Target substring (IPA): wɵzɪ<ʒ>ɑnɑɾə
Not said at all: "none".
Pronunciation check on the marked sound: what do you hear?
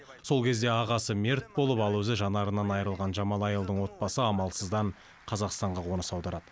ʒ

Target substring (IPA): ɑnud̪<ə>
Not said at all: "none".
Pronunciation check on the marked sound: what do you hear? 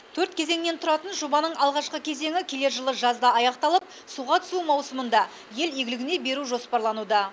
ɑ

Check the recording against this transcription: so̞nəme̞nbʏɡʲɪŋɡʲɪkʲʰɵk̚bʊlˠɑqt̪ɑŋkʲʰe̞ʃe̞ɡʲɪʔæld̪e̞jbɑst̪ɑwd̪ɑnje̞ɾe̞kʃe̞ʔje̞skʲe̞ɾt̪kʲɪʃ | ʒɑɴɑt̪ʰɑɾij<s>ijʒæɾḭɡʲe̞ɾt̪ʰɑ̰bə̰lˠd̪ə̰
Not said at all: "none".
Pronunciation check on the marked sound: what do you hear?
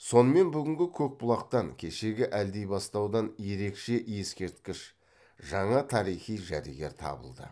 χ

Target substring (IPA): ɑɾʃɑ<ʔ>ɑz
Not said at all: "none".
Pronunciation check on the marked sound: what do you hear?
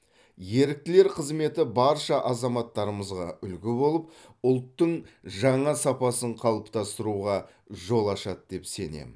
ʔ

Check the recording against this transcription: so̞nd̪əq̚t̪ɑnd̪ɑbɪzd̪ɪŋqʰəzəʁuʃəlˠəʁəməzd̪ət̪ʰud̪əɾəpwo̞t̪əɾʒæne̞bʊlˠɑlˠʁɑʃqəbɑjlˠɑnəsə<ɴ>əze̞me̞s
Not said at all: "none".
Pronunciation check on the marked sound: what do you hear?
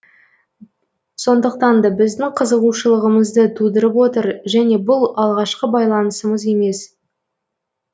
m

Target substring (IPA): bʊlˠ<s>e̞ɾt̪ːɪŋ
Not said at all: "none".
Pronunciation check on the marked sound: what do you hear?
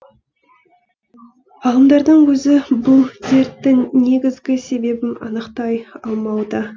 z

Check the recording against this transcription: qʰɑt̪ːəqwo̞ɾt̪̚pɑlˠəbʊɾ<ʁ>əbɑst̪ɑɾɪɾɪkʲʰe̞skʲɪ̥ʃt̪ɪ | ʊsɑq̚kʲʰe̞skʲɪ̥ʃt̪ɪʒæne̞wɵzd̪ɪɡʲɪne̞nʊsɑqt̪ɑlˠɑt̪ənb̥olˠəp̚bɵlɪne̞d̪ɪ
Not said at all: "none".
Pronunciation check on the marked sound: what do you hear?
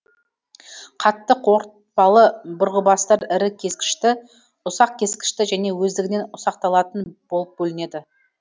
ʁ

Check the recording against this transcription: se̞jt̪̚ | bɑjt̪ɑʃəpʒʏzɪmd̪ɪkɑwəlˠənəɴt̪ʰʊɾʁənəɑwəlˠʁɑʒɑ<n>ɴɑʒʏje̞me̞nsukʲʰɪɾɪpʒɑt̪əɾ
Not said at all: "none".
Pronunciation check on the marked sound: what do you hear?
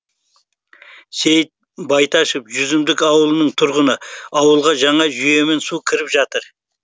none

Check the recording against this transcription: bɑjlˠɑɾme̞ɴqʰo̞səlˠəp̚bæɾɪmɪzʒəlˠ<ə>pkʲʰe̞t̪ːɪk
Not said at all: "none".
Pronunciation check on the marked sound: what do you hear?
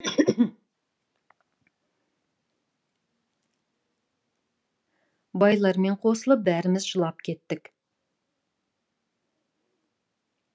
ɑ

